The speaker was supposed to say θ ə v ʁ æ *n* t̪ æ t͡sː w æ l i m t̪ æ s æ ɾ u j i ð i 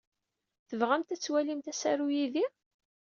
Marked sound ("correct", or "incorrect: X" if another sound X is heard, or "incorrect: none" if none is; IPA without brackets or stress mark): incorrect: m